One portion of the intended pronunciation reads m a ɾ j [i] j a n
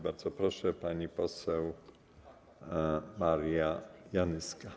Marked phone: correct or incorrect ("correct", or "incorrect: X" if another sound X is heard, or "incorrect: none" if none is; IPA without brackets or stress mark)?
incorrect: a